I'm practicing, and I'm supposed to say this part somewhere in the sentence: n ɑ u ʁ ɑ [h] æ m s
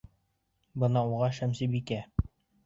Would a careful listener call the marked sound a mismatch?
yes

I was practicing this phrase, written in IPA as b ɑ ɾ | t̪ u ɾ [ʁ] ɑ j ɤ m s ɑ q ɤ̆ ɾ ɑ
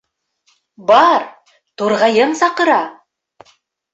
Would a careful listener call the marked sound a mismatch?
no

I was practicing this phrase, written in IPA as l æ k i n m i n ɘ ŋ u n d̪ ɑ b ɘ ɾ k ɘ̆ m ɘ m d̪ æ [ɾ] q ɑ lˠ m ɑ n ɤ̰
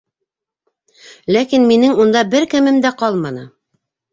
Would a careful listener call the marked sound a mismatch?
yes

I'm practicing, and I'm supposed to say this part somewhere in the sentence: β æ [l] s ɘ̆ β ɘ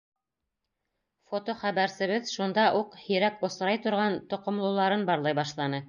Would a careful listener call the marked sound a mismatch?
yes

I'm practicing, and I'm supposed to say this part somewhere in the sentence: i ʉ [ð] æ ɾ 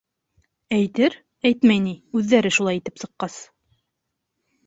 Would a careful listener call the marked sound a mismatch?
yes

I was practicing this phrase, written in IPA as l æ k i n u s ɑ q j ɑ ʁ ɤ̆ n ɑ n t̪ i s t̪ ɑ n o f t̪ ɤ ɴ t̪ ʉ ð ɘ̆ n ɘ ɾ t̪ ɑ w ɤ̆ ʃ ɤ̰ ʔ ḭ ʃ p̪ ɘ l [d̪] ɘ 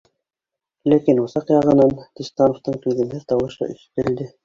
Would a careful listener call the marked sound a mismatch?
no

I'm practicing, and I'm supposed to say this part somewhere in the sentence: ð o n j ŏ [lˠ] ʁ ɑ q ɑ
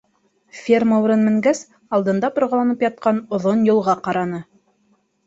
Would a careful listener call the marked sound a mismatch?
no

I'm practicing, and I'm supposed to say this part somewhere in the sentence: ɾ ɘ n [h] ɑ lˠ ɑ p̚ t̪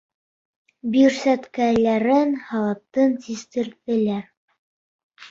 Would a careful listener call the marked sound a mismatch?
no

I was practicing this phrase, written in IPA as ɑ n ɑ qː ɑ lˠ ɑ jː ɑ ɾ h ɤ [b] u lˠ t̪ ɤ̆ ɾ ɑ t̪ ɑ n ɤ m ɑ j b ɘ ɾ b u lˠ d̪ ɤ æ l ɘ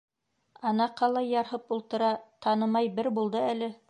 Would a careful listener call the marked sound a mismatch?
yes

